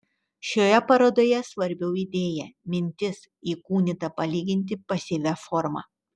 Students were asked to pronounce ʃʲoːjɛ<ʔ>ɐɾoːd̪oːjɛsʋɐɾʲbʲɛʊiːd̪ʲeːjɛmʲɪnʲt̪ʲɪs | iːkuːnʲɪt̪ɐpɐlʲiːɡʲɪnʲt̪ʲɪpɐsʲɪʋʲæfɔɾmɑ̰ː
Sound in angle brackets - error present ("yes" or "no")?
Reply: yes